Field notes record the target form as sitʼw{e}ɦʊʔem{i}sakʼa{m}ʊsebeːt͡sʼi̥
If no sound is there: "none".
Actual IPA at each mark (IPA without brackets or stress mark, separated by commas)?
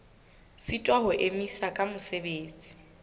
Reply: a, i, m